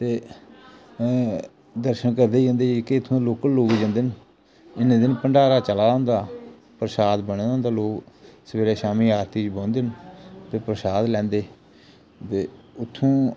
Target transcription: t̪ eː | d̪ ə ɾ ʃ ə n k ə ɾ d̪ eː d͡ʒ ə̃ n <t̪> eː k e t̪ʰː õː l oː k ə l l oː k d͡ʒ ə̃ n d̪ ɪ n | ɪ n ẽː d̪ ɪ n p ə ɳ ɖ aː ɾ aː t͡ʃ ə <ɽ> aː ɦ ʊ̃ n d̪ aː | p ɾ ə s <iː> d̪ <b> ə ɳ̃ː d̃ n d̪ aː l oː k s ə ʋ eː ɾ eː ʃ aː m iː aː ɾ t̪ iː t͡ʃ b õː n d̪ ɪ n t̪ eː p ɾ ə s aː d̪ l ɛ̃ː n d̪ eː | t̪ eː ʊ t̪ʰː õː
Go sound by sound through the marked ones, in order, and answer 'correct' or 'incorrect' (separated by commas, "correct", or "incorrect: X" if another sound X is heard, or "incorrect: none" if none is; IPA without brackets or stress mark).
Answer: incorrect: d̪, incorrect: l, incorrect: aː, correct